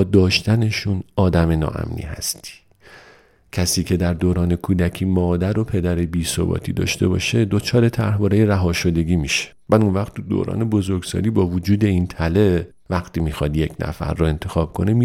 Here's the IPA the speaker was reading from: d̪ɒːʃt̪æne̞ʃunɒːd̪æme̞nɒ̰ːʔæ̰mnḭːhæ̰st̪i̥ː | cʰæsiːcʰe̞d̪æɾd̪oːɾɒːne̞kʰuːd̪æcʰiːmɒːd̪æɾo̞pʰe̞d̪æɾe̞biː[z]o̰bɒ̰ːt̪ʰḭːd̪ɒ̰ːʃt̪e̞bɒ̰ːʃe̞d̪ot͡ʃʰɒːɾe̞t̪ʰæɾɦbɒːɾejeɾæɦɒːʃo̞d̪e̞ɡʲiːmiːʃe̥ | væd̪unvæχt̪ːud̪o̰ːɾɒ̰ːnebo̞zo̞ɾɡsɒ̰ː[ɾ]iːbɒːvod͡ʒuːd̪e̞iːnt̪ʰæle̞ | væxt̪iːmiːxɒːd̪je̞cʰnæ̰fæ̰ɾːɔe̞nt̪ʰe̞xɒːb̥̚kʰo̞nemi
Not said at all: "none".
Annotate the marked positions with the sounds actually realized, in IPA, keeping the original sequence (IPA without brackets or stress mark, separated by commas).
s, l